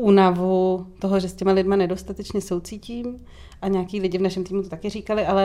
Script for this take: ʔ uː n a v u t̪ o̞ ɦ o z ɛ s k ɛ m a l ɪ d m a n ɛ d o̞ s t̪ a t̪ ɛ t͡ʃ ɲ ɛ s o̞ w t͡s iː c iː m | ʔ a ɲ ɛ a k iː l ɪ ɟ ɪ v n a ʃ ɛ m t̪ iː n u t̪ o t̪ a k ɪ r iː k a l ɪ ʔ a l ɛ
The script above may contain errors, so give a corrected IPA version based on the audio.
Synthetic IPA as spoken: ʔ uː n a v u t̪ o̞ ɦ o ʒ ɛ s c ɛ m a l ɪ d m a n ɛ d o̞ s t̪ a t̪ ɛ t͡ʃ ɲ ɛ s o̞ w t͡s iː c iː m | ʔ a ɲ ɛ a k iː l ɪ ɟ ɪ v n a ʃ ɛ m t̪ iː m u t̪ o t̪ a k ɪ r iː k a l ɪ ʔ a l ɛ